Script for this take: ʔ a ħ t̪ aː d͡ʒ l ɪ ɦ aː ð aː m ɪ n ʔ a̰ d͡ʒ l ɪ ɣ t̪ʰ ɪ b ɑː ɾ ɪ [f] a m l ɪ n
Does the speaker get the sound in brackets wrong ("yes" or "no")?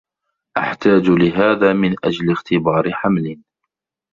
yes